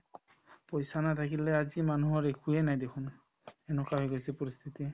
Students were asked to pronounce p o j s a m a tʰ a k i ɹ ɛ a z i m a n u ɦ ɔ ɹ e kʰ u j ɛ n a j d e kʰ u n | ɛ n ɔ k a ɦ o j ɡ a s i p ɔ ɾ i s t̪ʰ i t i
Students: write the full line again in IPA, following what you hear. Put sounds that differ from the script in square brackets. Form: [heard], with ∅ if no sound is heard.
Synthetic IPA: p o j s a [n] a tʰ a k i [l] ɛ a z i m a n u ɦ ɔ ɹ e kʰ u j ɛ n a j d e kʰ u n | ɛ n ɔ k a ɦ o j ɡ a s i p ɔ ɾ i s t̪ʰ i t i